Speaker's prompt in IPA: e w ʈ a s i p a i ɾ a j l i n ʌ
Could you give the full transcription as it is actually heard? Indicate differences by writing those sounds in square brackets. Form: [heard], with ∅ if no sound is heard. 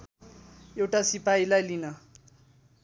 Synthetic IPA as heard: e w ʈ a s i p a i [l] a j l i n ʌ